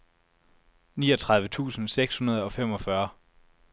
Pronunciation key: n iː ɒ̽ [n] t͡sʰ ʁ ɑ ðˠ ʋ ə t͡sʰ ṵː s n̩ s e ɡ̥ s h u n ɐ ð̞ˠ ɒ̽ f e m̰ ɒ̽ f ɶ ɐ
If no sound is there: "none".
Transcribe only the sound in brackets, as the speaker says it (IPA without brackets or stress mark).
none